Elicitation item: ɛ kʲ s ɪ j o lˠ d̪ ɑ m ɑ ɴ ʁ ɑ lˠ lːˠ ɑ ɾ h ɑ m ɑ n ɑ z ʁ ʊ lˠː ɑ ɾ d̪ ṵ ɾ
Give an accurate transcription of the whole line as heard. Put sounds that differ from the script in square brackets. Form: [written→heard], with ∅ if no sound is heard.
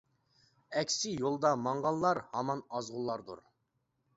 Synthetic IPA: ɛ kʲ s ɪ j o lˠ d̪ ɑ m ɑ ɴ ʁ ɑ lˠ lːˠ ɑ ɾ h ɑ m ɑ n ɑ z ʁ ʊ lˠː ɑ ɾ d̪ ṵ ɾ